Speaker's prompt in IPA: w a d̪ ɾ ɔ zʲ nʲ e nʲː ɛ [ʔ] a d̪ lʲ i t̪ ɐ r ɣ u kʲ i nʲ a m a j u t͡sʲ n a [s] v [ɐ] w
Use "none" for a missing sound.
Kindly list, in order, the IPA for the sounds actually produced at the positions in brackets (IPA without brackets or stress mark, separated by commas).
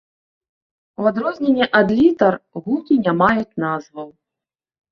ʔ, z, ɐ